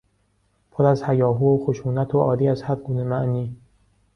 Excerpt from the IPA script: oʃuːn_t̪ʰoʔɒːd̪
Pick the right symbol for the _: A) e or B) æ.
B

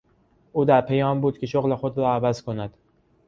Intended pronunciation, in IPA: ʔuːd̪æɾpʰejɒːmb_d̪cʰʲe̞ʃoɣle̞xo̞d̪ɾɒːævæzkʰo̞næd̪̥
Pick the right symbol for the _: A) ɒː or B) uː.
B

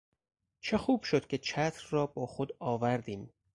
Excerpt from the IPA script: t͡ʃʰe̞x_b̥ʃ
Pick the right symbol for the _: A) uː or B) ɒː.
A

